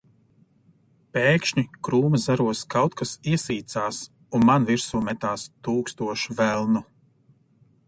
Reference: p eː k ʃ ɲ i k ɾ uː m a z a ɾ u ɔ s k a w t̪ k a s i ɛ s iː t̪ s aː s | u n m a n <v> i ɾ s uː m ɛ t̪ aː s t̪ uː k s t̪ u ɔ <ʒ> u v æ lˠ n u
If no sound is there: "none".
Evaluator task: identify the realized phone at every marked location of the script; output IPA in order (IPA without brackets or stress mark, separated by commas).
v, ʃ